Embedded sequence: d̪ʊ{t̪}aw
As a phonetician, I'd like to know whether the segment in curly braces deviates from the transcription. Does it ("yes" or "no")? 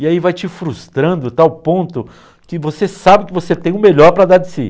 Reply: no